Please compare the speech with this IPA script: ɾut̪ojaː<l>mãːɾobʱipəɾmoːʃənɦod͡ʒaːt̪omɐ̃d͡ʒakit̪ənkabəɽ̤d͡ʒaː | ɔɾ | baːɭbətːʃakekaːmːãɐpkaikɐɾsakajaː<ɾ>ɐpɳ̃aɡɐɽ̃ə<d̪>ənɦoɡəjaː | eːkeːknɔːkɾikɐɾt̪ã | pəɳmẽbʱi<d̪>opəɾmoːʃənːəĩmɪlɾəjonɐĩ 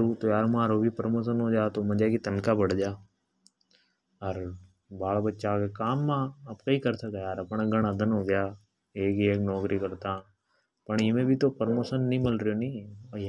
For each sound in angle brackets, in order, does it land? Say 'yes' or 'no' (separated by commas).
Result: no, yes, yes, no